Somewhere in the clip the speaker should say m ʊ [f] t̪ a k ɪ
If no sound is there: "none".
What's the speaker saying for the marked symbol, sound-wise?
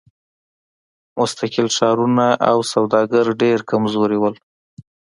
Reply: s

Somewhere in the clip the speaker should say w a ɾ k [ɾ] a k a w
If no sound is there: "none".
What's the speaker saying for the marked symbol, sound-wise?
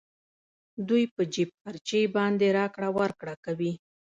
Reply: ɽ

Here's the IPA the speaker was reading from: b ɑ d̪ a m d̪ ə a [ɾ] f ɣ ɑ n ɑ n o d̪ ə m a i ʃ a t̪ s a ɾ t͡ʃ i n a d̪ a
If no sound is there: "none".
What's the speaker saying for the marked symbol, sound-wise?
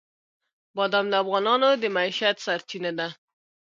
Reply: none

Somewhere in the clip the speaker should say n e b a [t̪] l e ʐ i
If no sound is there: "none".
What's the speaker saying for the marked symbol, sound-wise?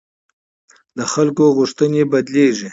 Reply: d̪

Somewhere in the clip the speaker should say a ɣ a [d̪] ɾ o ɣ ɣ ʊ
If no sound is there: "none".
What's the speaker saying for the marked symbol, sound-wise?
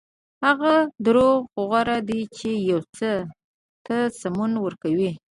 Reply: d̪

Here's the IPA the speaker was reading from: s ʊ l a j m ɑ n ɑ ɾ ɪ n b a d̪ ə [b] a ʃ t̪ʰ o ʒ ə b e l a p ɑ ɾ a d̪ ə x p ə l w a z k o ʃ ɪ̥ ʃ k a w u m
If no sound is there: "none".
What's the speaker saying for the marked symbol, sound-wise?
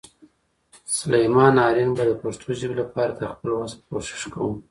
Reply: p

